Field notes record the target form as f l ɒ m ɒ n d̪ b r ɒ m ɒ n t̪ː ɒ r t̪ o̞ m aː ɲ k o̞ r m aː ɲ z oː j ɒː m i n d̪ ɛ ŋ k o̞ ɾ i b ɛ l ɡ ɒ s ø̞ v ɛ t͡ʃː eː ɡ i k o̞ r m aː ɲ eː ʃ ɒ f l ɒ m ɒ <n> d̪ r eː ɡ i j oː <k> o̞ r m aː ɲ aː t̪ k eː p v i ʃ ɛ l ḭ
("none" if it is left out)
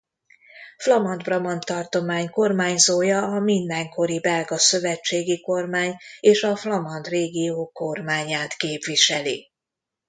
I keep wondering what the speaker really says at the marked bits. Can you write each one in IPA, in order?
n, k

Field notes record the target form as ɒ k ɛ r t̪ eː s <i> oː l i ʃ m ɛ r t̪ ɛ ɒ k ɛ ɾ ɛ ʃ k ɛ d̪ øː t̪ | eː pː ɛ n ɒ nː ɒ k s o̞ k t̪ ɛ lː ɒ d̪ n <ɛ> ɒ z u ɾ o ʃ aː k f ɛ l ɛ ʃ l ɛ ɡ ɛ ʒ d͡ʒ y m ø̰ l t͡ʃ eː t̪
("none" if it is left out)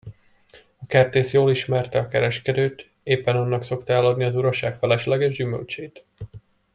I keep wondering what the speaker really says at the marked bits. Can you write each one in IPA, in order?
j, i

